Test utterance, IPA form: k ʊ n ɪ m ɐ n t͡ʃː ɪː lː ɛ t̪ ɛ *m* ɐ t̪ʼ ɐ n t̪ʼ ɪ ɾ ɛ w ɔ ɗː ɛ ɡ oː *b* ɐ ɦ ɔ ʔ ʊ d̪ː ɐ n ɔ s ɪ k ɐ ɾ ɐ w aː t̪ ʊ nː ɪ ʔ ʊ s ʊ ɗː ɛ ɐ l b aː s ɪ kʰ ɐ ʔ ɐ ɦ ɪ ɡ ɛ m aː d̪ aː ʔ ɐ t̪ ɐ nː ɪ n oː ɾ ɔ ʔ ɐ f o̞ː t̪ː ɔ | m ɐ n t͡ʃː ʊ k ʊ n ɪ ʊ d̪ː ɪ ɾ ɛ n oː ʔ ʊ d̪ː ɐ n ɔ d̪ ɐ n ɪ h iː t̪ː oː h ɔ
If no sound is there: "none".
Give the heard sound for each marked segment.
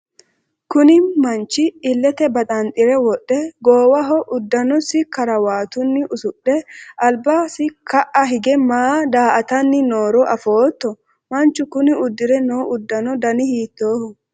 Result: b, w

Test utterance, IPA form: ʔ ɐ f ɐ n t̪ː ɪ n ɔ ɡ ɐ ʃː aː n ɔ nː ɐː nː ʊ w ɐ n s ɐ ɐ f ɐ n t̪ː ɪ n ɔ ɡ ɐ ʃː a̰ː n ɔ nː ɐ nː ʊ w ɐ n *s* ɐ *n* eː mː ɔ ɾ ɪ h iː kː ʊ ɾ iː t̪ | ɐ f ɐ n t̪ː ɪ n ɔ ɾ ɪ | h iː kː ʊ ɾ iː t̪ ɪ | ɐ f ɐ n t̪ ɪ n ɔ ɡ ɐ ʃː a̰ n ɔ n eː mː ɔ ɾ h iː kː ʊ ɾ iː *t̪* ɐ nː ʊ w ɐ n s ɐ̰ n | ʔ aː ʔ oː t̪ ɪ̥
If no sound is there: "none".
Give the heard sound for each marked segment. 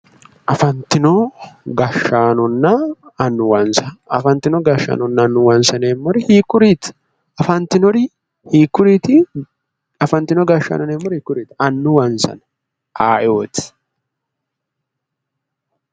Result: s, n, t̪

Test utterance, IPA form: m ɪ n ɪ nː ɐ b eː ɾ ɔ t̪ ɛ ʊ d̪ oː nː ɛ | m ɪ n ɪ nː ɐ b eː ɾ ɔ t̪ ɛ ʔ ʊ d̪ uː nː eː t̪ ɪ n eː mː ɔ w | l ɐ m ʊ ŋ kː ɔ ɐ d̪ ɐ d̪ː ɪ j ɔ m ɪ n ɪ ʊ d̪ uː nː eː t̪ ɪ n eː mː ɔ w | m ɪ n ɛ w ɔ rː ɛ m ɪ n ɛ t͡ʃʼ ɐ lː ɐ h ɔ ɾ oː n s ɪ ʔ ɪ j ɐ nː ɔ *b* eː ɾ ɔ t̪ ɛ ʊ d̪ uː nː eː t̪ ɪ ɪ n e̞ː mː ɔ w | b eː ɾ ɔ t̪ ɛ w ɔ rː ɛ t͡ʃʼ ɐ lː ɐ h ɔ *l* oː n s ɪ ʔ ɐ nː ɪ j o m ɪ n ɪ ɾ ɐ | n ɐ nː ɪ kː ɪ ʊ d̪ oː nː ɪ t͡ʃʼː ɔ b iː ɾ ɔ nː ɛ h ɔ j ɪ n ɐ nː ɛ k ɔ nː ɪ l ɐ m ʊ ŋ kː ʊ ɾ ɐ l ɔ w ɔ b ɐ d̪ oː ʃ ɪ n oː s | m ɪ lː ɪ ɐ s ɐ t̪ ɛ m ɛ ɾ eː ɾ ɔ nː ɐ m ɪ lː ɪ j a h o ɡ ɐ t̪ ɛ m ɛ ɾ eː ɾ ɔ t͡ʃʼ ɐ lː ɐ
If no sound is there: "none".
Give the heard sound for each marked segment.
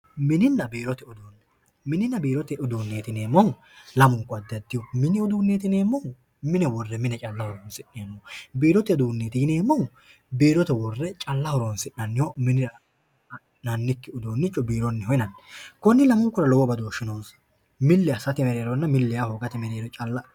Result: b, ɾ

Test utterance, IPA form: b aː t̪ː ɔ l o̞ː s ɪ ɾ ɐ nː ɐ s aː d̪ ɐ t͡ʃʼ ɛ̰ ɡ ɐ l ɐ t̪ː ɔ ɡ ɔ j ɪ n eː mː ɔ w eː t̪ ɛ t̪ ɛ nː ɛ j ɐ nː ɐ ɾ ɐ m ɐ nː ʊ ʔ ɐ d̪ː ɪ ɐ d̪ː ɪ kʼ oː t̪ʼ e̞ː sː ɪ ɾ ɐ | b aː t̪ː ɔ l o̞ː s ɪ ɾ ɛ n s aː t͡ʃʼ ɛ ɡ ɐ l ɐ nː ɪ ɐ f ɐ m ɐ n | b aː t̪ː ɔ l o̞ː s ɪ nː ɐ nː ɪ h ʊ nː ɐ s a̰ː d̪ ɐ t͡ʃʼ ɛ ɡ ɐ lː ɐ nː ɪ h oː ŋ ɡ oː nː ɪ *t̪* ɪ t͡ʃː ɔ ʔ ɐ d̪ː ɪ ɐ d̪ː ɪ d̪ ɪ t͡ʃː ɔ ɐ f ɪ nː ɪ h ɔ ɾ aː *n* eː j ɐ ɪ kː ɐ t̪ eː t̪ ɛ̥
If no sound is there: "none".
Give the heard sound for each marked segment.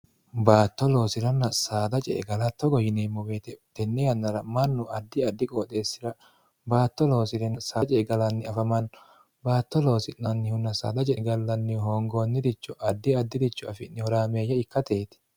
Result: d̪, m

